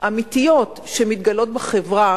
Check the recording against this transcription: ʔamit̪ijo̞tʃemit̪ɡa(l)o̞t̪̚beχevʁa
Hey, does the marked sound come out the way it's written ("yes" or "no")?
yes